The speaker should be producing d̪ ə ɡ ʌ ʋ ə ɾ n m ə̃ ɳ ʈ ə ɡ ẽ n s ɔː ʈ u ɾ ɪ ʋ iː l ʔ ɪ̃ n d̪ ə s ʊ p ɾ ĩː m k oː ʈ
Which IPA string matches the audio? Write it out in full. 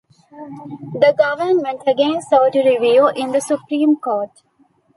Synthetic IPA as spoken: d̪ ə ɡ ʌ ʋ ə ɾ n m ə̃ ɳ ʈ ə ɡ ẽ n s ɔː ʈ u ɾ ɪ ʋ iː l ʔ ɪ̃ n d̪ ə s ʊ p ɾ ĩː m k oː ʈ